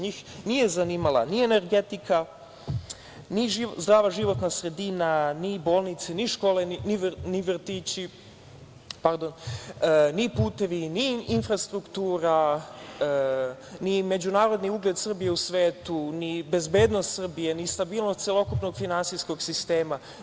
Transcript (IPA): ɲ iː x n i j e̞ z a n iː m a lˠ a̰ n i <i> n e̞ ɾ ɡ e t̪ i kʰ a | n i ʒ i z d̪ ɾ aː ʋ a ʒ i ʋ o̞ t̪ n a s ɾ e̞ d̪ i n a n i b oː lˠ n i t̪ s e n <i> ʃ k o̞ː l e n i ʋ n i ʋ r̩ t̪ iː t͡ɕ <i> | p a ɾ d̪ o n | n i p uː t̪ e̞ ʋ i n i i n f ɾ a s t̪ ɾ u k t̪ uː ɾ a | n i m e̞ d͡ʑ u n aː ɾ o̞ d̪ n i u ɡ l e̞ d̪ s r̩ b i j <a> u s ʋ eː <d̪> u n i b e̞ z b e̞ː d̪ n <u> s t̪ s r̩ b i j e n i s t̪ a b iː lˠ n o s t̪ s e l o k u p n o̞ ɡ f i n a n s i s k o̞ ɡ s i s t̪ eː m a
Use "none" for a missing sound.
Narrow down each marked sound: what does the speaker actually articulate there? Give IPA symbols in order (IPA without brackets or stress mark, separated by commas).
e, i, i, e, t̪, o